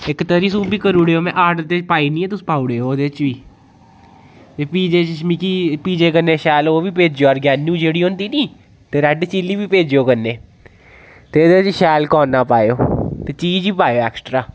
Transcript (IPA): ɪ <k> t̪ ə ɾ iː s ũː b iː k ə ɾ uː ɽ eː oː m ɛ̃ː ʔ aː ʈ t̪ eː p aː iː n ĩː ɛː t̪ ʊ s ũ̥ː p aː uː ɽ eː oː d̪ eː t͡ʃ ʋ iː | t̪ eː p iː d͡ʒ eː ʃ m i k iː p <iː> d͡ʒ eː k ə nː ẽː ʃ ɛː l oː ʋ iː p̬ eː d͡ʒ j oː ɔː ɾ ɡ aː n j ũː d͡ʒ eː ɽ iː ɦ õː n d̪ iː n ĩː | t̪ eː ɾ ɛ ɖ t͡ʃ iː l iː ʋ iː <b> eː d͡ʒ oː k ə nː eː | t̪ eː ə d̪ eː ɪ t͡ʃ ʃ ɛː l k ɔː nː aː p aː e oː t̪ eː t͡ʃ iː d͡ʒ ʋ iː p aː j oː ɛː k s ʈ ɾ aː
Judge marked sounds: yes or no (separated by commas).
yes, yes, no